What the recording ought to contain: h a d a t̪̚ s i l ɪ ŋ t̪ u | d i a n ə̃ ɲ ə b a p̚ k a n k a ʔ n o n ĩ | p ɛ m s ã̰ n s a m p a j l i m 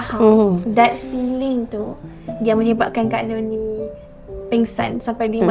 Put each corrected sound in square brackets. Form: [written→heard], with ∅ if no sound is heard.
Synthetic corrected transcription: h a d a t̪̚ s i l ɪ ŋ t̪ u | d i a [n→m] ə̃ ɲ ə b a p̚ k a n k a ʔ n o n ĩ | p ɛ [m→ŋ] s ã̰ n s a m p a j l i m